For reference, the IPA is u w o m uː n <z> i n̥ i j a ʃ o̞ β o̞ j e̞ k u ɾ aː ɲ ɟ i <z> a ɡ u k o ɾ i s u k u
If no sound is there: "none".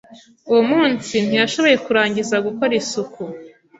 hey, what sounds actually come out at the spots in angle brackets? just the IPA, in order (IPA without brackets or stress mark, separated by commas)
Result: s, z